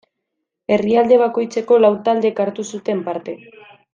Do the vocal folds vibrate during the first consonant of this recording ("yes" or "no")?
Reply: yes